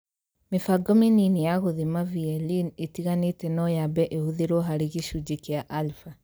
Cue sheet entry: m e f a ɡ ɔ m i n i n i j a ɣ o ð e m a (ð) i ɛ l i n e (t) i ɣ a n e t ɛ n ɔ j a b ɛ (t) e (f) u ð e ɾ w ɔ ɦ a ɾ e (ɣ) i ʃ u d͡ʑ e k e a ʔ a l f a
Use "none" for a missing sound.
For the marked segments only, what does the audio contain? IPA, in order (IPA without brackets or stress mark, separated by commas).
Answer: v, t, ʔ, h, ɣ